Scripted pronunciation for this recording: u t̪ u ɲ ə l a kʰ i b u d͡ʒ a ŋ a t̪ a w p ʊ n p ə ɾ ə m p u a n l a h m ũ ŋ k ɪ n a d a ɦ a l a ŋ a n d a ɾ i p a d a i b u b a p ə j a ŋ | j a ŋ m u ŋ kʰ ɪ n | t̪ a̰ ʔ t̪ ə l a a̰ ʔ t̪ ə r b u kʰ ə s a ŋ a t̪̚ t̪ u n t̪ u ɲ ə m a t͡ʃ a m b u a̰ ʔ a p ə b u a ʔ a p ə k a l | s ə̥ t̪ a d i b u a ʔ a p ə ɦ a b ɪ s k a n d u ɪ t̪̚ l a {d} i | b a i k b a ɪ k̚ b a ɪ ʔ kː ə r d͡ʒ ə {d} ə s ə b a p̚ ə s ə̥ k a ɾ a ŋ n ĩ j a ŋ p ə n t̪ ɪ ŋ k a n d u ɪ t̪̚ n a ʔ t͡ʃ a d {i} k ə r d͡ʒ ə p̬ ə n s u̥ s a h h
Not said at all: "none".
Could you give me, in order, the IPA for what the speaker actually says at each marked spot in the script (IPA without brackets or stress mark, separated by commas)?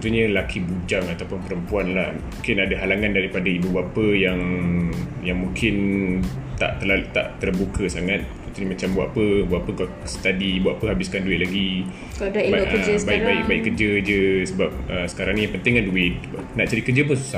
ɡ, d͡ʒ, i